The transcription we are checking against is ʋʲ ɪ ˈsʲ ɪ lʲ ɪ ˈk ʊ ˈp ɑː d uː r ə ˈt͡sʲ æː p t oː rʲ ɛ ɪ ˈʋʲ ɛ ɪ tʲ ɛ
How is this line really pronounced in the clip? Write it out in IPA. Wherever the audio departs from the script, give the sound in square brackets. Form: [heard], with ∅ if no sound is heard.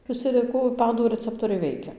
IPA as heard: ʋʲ ɪ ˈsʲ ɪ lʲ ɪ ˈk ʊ ˈp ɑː d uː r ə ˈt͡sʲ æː p t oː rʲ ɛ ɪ ˈʋʲ ɛ ɪ [kʲ] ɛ